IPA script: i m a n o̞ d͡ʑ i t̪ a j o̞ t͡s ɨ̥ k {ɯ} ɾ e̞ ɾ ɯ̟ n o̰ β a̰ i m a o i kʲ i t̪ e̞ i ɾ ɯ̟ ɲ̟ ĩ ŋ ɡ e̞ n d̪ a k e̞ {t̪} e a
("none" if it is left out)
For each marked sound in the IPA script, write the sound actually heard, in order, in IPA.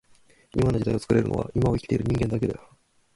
ɯ, d̪

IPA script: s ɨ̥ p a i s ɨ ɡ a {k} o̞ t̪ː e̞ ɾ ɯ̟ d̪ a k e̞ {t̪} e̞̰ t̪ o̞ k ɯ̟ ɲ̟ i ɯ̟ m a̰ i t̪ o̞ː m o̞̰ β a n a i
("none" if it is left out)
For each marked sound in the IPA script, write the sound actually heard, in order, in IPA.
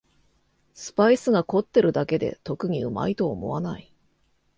k, d̪

